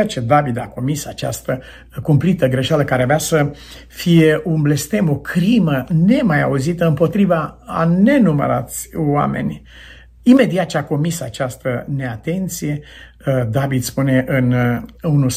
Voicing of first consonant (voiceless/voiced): voiceless